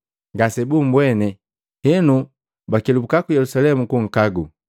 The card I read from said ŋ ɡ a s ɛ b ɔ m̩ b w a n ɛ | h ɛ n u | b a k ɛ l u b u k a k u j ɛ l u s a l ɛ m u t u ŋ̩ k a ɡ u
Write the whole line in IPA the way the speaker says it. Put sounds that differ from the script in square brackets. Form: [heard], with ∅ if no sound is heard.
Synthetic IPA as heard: ŋ ɡ a s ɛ b [u] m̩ b w [ɛ] n ɛ | h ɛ n u | b a k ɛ l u b u k a k u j ɛ l u s a l ɛ m u [k] u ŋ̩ k a ɡ u